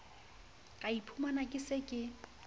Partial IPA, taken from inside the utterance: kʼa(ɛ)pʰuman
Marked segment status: incorrect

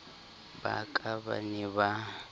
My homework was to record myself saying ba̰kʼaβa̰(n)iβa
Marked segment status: correct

